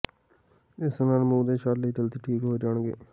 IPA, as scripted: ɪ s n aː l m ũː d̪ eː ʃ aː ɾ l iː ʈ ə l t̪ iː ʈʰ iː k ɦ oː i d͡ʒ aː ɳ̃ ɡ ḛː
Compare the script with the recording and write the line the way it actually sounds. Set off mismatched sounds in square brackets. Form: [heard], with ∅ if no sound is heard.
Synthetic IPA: ɪ s n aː l m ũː d̪ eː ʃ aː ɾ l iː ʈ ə l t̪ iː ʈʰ iː k ɦ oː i d͡ʒ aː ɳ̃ ɡ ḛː